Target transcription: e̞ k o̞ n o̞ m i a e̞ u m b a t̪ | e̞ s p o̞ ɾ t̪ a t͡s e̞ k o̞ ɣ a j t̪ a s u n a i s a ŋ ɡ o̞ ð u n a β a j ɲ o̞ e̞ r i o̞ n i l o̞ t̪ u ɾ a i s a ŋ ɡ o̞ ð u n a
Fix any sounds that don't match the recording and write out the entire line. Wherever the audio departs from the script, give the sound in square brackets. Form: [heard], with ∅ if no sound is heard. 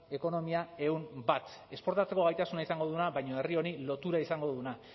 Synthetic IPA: e̞ k o̞ n o̞ m i a e̞ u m b a t̪ | e̞ s p o̞ ɾ t̪ a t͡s e̞ k o̞ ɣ a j t̪ a s u n a i s a ŋ ɡ o̞ ð u n a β a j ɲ o̞ e̞ r i o̞ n i l o̞ t̪ u ɾ a i s a ŋ ɡ o̞ ð u n a